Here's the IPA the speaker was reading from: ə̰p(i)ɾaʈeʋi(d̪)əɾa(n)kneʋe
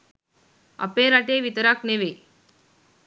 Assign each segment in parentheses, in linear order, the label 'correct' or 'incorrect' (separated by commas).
incorrect, incorrect, incorrect